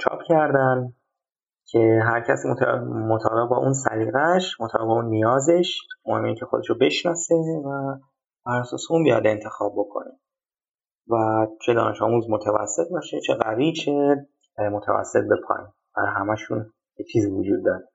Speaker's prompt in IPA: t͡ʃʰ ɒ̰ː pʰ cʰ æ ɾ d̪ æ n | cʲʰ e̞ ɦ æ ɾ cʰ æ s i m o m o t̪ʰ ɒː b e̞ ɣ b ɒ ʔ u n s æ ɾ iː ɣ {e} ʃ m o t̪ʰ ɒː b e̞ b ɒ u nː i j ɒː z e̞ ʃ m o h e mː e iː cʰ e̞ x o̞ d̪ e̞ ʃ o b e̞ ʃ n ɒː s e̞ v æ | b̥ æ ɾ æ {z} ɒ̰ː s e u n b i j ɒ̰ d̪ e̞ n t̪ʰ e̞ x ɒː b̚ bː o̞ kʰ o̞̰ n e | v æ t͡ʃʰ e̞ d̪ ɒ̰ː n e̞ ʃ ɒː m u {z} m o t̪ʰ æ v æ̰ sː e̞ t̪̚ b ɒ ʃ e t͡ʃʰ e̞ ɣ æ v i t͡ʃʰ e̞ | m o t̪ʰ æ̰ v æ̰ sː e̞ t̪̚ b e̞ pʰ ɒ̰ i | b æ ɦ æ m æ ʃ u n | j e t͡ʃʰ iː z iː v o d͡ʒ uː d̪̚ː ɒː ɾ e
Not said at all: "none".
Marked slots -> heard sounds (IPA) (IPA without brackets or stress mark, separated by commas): æ, s, z